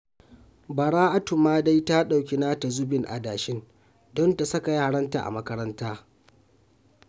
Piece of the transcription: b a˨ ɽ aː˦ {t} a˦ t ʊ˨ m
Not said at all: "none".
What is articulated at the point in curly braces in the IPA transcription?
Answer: ʔ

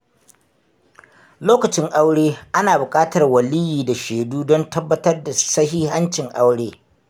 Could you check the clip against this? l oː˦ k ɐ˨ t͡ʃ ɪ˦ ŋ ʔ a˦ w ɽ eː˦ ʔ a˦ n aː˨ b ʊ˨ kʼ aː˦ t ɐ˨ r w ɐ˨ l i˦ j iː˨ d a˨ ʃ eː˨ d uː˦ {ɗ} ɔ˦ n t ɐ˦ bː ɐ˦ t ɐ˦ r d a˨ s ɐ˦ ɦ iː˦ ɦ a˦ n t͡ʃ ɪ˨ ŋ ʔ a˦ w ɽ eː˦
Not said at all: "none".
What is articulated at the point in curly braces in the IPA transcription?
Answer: d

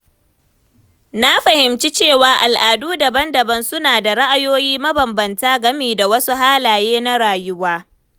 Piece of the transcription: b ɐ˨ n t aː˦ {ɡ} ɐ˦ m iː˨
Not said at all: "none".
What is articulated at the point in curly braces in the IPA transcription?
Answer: ɡ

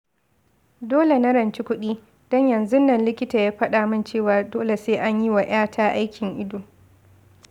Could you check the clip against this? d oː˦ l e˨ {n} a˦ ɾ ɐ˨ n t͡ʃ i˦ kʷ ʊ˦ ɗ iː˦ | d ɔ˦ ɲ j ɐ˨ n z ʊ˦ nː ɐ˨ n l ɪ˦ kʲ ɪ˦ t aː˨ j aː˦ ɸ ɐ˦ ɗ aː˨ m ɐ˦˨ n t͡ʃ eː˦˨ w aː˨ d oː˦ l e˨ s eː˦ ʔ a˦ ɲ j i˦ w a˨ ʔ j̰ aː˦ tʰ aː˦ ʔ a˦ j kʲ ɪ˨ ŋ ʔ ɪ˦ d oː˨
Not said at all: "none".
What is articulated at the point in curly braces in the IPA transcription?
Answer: n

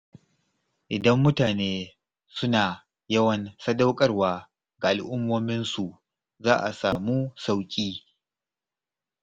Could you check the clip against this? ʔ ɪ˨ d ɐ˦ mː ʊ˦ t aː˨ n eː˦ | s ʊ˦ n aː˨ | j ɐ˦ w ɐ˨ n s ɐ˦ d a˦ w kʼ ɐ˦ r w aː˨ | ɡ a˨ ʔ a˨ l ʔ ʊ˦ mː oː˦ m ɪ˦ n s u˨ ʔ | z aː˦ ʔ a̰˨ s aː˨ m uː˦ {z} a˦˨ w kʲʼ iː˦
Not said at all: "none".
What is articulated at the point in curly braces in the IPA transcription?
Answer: s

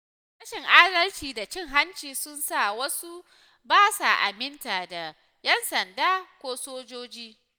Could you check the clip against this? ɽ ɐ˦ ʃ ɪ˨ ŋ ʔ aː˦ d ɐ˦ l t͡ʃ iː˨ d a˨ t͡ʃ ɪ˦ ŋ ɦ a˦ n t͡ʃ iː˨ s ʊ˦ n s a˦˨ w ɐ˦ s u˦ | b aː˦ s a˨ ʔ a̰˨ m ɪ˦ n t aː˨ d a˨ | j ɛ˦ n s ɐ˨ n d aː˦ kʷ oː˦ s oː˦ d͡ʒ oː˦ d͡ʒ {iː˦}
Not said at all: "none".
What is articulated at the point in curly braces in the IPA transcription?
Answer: iː˦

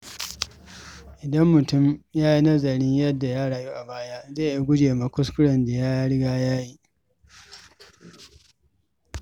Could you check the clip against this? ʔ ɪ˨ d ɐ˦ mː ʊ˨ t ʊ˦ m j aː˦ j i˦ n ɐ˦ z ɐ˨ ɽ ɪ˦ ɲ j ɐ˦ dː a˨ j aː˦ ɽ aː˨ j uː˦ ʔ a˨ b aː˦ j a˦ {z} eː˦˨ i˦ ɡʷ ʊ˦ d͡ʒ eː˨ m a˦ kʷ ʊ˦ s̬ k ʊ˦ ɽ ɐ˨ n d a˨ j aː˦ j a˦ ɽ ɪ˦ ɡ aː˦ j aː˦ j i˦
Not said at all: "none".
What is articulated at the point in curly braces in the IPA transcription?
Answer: z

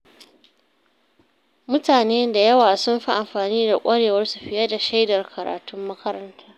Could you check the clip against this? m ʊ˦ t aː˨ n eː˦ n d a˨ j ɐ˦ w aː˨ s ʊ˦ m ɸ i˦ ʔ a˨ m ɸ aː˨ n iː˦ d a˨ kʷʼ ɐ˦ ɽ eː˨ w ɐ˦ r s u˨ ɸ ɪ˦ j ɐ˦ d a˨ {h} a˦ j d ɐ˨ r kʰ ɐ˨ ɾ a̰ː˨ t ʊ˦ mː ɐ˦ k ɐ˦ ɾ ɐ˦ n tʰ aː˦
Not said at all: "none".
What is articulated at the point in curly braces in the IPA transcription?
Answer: ʃ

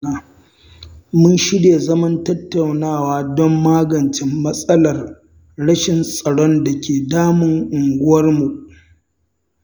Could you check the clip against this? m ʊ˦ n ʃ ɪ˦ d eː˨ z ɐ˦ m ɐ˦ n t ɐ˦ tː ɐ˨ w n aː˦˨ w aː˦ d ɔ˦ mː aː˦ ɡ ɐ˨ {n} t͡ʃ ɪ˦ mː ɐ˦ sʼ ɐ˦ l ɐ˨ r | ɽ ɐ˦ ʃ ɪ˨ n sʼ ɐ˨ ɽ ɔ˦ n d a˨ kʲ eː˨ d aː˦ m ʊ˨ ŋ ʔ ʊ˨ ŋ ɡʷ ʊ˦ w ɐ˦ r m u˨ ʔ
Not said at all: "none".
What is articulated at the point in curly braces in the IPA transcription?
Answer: n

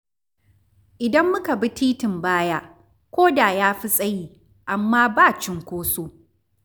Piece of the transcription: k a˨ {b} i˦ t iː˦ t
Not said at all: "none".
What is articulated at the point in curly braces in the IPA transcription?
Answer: b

